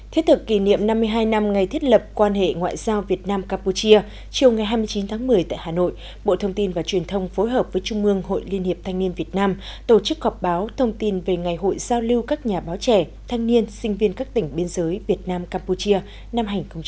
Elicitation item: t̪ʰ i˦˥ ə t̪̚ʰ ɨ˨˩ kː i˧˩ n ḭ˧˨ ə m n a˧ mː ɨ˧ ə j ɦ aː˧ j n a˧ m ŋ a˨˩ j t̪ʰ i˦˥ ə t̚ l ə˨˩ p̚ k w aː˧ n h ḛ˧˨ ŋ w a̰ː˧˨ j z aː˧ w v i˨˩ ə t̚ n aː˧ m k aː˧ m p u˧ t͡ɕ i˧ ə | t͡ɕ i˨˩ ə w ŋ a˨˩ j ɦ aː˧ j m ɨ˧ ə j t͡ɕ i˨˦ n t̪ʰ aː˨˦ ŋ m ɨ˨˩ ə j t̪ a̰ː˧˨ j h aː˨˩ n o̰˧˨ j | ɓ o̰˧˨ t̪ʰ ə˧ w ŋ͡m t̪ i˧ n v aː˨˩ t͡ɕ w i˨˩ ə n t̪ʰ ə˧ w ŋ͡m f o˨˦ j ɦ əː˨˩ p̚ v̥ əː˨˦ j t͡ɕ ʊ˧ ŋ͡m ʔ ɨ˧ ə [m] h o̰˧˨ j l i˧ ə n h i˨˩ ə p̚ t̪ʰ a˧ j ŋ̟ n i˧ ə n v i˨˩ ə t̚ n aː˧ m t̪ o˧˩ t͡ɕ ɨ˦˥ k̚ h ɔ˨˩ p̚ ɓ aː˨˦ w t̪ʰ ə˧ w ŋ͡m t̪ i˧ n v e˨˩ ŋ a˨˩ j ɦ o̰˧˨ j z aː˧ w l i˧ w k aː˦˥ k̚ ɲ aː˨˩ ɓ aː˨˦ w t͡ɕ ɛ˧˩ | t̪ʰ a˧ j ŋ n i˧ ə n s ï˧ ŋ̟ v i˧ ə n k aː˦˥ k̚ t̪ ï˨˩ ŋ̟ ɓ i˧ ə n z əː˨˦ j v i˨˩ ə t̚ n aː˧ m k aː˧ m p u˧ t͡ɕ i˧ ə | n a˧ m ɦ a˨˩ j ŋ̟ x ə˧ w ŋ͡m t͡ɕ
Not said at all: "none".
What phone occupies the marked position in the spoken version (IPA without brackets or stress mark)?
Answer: ŋ